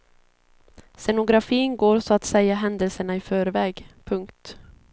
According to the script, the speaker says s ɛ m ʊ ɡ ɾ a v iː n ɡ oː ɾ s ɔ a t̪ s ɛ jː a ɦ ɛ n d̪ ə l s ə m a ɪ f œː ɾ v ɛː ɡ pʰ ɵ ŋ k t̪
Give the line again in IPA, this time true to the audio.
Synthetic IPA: s ɛ n ʊ ɡ ɾ a f iː n ɡ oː ɾ s ɔ a t̪ s ɛ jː a ɦ ɛ n d̪ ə l s ə ɳ a ɪ f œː ɾ v ɛː ɡ pʰ ɵ ŋ k t̪